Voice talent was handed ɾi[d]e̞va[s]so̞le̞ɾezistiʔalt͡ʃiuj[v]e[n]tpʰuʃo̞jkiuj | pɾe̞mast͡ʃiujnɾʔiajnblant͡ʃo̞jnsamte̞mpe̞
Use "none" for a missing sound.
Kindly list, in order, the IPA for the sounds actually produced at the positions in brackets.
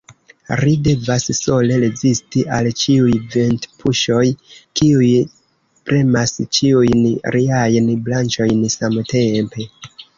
d, s, v, n

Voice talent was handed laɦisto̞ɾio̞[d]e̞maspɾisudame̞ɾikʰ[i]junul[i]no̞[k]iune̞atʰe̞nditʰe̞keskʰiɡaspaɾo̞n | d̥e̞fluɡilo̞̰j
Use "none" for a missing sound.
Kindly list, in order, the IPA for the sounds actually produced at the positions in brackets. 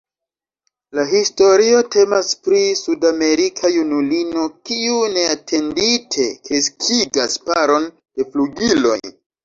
t, a, i, k

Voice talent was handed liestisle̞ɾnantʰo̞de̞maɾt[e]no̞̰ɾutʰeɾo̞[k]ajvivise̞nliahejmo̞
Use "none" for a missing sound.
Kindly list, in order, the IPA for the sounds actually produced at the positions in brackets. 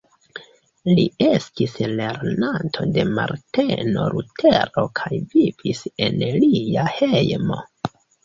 e, kʰ

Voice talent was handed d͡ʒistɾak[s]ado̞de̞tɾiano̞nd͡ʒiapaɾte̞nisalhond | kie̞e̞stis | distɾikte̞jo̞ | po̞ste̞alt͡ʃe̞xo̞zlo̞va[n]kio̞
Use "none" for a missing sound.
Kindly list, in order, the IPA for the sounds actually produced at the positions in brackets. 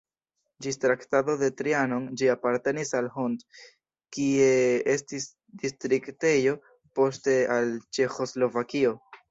t, none

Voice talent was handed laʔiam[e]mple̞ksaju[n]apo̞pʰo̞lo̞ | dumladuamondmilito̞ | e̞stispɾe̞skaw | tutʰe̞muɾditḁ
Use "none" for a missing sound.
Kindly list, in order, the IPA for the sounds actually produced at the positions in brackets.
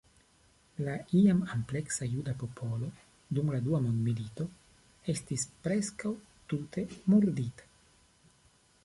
a, d

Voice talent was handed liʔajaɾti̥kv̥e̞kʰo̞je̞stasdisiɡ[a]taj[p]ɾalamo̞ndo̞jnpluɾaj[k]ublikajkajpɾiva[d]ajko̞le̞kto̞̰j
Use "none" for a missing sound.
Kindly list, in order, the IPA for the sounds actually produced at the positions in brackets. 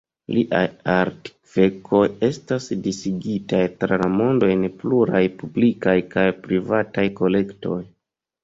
i, t, p, t

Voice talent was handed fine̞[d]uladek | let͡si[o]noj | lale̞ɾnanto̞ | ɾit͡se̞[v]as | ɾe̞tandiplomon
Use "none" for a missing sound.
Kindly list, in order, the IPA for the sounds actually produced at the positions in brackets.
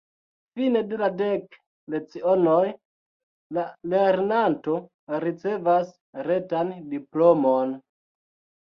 d, o, v

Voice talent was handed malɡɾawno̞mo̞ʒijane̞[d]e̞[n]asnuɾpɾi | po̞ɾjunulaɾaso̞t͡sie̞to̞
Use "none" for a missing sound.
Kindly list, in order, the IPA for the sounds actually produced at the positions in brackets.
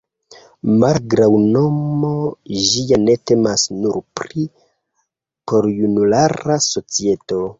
t, m

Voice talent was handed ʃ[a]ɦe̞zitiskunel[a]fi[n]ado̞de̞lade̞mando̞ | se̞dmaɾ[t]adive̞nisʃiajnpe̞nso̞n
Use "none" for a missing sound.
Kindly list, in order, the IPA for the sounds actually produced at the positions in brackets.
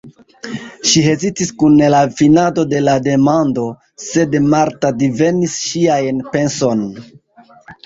i, a, n, t

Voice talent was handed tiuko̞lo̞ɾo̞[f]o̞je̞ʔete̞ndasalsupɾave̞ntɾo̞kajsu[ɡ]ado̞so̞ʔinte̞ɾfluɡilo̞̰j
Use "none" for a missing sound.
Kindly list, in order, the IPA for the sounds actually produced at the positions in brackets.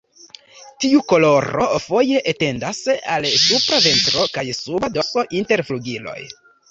f, b

